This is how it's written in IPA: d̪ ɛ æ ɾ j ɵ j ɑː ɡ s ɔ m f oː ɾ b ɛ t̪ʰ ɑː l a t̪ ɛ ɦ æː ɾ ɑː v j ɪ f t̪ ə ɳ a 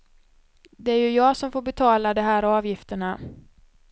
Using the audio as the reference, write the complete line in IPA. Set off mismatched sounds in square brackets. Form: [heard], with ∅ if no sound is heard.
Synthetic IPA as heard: d̪ ɛ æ ɾ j ɵ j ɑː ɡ s ɔ m f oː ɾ b ɛ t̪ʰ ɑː l a [d̪] ɛ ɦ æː ɾ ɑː v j ɪ f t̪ ə ɳ a